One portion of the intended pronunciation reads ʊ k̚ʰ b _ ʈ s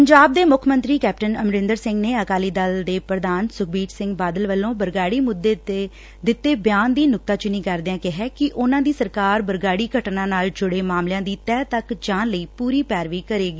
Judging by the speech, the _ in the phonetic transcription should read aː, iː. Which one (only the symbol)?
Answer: iː